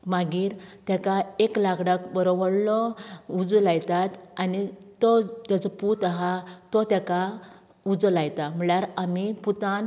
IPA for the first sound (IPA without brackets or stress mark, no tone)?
m